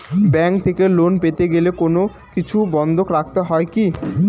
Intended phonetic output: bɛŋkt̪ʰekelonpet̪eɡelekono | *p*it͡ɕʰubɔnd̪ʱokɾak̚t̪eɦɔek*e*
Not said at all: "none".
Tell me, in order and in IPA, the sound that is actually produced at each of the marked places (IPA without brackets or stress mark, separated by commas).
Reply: k, i